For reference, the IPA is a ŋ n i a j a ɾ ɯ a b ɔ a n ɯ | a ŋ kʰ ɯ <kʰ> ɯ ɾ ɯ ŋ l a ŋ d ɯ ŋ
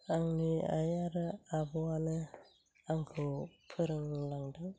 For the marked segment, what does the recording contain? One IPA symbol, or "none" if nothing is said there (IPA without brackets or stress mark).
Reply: pʰ